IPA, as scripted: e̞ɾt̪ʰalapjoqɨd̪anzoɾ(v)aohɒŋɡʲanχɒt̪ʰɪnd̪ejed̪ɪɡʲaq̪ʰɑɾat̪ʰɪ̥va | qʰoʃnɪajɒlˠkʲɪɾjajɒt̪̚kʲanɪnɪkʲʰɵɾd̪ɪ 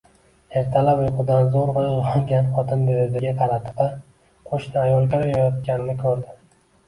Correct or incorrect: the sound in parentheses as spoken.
correct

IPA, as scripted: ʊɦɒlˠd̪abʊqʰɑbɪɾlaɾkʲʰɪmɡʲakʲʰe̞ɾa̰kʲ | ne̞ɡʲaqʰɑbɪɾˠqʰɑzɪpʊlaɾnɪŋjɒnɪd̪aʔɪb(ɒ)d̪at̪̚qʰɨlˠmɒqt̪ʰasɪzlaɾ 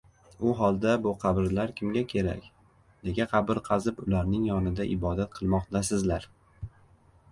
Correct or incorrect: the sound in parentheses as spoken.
correct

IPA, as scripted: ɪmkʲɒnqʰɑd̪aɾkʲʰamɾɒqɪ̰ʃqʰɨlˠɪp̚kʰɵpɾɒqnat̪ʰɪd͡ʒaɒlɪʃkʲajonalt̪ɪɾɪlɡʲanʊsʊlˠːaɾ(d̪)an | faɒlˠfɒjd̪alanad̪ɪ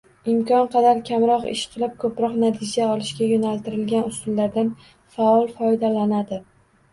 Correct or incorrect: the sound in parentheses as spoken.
correct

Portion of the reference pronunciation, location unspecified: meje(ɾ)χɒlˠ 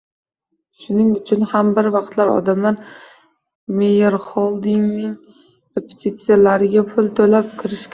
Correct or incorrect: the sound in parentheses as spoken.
correct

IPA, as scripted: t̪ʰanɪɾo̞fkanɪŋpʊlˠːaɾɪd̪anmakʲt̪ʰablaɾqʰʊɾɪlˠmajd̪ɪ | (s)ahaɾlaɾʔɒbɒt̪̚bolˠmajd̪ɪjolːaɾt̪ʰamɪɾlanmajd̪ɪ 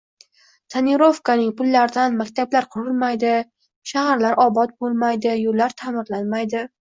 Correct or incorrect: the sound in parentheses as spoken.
incorrect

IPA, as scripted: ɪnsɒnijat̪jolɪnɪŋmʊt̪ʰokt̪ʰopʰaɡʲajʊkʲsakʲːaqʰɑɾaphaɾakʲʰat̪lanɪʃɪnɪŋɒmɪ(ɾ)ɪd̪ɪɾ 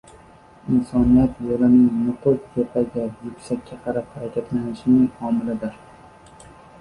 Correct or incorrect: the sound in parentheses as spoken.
incorrect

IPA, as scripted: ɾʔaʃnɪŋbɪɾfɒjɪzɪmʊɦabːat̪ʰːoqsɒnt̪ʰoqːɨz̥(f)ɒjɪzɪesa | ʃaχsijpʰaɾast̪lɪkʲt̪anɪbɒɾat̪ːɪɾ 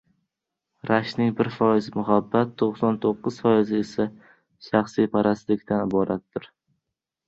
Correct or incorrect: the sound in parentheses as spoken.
correct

